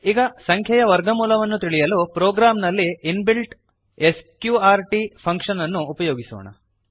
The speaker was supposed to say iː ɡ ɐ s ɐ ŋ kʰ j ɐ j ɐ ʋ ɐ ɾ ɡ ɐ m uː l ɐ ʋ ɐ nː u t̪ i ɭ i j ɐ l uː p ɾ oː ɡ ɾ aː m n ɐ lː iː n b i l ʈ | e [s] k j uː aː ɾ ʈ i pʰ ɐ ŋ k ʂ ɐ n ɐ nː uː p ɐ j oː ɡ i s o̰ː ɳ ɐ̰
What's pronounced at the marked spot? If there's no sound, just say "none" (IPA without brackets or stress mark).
s